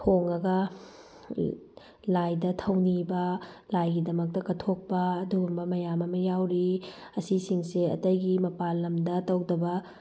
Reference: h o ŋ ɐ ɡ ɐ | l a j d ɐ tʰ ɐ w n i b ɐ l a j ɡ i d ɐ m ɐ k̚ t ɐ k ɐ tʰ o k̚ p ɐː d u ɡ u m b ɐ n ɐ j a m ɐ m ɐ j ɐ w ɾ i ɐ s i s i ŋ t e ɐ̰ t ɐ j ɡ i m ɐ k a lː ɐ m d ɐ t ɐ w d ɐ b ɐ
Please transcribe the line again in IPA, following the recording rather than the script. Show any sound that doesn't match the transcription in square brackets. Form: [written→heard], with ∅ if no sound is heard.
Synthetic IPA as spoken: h o ŋ ɐ ɡ ɐ | l a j d ɐ tʰ ɐ w n i b ɐ l a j ɡ i d ɐ m ɐ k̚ t ɐ k ɐ tʰ o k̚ p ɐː d u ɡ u m b ɐ [n→m] ɐ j a m ɐ m ɐ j [ɐ→a] w ɾ i ɐ s i s i ŋ [t→s] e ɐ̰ t ɐ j ɡ i m ɐ [k→p] a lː ɐ m d ɐ t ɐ w d ɐ b ɐ